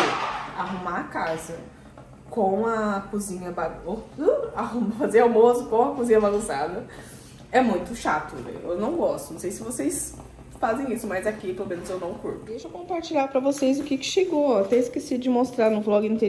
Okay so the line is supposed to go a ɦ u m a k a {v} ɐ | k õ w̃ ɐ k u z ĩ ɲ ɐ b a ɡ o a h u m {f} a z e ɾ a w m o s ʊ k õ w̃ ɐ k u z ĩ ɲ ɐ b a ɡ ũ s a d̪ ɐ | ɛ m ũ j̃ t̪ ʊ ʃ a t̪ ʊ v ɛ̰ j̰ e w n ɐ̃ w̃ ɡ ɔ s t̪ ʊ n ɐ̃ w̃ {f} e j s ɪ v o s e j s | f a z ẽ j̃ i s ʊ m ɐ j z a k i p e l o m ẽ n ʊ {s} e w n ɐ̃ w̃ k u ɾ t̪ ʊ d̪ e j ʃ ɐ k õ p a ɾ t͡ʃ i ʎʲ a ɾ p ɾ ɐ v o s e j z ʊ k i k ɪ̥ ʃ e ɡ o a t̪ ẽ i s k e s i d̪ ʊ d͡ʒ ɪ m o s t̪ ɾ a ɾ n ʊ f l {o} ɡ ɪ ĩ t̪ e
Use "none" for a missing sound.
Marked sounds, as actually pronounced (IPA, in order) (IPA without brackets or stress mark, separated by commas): z, f, s, z, ɔ